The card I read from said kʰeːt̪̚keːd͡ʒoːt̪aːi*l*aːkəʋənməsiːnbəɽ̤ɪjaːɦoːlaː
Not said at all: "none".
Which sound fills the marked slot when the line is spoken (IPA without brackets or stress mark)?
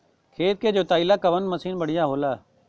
l